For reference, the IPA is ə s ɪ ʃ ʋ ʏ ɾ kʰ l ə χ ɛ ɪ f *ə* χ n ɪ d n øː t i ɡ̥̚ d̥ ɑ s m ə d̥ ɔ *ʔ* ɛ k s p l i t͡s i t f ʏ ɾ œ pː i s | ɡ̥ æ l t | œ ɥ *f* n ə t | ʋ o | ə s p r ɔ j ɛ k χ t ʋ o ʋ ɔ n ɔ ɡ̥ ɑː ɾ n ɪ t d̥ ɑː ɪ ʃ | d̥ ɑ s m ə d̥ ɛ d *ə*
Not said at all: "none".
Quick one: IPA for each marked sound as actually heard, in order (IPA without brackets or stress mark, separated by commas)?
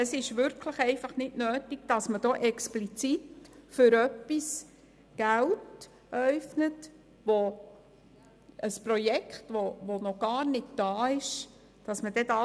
ɑ, ʔ, f, ɑ